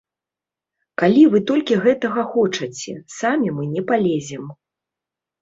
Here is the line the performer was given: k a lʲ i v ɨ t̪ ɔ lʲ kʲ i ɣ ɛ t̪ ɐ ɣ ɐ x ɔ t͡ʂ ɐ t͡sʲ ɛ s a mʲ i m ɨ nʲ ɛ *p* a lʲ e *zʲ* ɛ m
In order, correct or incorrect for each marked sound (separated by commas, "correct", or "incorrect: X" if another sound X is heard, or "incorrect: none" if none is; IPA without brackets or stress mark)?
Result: correct, correct